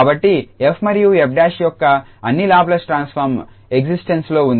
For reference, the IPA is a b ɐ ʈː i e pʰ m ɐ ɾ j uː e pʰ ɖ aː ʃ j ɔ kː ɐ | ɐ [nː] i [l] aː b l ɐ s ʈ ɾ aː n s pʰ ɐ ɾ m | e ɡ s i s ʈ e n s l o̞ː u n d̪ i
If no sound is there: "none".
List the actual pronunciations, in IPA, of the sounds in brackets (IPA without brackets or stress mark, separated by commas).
nː, l